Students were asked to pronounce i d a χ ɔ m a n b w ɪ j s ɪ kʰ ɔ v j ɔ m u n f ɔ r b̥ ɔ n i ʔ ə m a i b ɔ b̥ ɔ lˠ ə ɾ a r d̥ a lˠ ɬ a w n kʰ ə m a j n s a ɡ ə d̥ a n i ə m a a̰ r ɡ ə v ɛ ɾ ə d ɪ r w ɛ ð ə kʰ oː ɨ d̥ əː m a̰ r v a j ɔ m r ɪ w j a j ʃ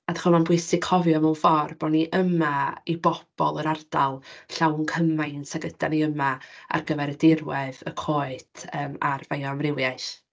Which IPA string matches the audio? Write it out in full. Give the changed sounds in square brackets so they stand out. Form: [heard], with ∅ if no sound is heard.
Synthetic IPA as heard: [a] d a χ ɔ m a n b w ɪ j s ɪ kʰ ɔ v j ɔ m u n f ɔ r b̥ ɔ n i ʔ ə m a i b ɔ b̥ ɔ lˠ ə ɾ a r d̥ a lˠ ɬ a w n kʰ ə m a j n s a ɡ ə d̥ a n i ə m a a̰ r ɡ ə v ɛ ɾ ə d ɪ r w ɛ ð ə kʰ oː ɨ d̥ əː m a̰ r v a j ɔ m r ɪ w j a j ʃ